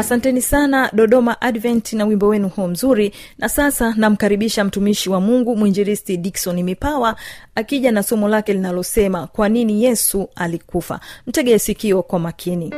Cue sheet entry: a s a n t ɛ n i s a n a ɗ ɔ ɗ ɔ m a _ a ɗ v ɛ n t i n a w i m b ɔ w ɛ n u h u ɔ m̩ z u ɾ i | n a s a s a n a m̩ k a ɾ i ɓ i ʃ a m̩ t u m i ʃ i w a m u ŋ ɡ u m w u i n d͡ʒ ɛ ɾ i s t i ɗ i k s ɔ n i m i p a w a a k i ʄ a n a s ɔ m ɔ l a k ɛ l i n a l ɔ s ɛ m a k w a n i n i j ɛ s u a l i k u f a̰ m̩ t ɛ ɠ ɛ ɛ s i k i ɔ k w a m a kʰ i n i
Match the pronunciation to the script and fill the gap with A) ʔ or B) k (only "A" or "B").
A